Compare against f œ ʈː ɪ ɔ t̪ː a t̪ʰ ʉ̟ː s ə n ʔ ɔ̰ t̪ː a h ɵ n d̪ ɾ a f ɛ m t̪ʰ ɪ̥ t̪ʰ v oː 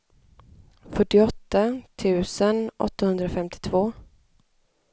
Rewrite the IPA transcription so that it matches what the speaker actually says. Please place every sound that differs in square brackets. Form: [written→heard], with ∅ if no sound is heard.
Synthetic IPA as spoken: f œ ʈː ɪ ɔ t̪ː a t̪ʰ ʉ̟ː s ə n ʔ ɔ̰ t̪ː a h ɵ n d̪ ɾ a f ɛ m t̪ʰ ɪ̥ t̪ʰ v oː

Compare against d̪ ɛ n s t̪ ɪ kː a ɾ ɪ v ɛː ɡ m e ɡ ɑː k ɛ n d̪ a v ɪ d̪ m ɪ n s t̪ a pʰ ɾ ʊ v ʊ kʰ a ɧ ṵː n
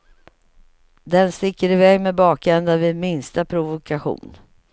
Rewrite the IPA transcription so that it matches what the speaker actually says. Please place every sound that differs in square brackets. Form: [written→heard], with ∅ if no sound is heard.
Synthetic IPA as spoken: d̪ ɛ n s t̪ ɪ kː [a→ə] ɾ ɪ v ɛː ɡ m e [ɡ→b] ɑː k ɛ n d̪ a v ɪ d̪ m ɪ n s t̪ a pʰ ɾ ʊ v ʊ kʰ a ɧ ṵː n

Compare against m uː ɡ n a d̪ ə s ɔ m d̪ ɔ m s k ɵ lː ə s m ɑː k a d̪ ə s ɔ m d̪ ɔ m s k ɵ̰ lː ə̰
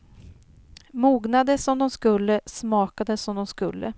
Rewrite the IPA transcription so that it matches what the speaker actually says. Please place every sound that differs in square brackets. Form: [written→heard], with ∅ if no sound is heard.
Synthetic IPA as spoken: m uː ɡ n a d̪ ə s ɔ m d̪ ɔ m s k ɵ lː ə s m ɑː k a d̪ ə s ɔ m d̪ ɔ m s k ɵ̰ lː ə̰

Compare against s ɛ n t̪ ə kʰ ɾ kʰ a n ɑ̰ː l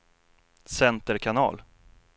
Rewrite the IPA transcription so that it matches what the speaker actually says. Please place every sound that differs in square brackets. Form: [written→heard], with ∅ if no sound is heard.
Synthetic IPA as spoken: s ɛ n t̪ ə [kʰ→∅] ɾ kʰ a n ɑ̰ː l

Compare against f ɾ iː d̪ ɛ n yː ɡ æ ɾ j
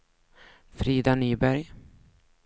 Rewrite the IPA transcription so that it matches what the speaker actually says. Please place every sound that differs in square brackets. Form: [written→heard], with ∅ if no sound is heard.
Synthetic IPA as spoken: f ɾ iː d̪ [ɛ→a] n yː [ɡ→b] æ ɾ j

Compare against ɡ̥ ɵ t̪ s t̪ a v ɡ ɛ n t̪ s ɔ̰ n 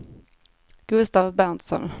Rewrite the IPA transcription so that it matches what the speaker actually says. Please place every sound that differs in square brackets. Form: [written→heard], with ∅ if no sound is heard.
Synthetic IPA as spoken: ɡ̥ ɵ [t̪→∅] s t̪ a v [ɡ→b] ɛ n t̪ s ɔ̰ n

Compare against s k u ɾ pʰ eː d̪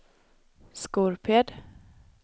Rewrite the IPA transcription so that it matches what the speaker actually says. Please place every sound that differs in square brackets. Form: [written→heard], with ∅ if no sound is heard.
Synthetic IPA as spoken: s k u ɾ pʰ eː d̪

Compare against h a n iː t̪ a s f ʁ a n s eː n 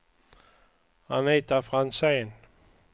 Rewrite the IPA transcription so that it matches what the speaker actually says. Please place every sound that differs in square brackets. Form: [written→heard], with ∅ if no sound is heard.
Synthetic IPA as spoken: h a n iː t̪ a [s→∅] f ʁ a n s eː n

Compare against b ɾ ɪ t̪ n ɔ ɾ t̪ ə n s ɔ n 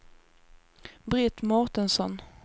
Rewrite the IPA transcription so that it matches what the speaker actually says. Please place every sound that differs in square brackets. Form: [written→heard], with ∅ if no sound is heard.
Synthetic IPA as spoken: b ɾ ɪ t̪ [n→m] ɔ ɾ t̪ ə n s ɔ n

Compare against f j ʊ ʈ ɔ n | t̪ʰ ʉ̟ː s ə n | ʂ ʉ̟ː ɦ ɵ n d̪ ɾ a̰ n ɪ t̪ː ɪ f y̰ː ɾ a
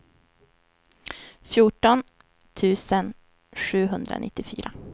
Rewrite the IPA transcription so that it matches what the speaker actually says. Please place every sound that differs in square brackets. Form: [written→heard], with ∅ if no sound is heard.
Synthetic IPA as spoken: f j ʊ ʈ ɔ n | t̪ʰ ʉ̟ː s ə n | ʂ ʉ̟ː ɦ ɵ n d̪ ɾ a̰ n ɪ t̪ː ɪ f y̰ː ɾ a

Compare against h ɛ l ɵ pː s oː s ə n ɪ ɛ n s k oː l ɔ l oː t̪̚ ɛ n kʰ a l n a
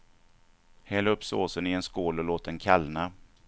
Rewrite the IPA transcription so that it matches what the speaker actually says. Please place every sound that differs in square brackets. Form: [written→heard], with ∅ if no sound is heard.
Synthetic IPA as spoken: h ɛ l ɵ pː s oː s ə n ɪ ɛ n s k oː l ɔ l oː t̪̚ ɛ n kʰ a l n a

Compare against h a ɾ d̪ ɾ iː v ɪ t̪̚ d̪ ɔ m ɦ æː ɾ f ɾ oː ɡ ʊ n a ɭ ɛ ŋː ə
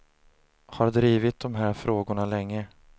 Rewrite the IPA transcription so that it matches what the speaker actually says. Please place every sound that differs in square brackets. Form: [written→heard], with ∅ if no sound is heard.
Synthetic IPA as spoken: h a ɾ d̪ ɾ iː v ɪ t̪̚ d̪ ɔ m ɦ æː ɾ f ɾ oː ɡ ʊ [n→ɳ] a [ɭ→l] ɛ ŋː ə

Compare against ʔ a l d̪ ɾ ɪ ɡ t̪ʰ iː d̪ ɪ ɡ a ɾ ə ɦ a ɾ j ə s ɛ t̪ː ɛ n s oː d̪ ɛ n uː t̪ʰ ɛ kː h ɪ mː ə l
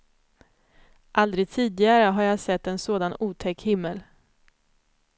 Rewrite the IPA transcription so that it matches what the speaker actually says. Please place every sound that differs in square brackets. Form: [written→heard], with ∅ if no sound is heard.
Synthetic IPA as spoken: ʔ a l d̪ ɾ ɪ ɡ t̪ʰ iː d̪ ɪ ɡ a ɾ ə ɦ a ɾ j [ə→a] s ɛ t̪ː ɛ n s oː d̪ [ɛ→a] n uː t̪ʰ ɛ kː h ɪ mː ə l

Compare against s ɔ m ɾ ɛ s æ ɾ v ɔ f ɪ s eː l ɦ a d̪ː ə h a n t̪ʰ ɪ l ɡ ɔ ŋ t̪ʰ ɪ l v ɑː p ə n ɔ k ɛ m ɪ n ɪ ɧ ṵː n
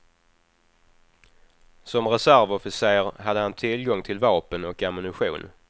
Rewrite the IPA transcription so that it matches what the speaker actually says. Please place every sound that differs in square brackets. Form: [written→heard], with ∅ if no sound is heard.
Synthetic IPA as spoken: s ɔ m ɾ ɛ s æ ɾ v ɔ f ɪ s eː [l→ɾ] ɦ a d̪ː ə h a n t̪ʰ ɪ l ɡ ɔ ŋ t̪ʰ ɪ l v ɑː p ə n ɔ k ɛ m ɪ n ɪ ɧ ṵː n

